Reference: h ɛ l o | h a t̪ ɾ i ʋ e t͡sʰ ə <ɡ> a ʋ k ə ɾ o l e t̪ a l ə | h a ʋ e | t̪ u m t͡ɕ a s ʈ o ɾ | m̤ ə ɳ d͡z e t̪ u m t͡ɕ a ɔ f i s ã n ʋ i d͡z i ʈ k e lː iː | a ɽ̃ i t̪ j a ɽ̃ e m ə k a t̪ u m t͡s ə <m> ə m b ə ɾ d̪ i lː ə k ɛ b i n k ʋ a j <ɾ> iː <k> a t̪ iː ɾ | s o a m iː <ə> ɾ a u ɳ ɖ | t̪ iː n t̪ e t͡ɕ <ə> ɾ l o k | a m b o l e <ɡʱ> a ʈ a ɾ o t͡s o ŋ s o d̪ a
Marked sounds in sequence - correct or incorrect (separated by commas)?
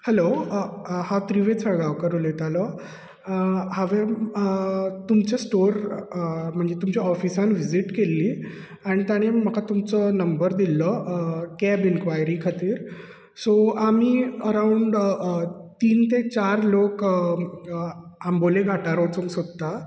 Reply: correct, incorrect, correct, incorrect, correct, incorrect, correct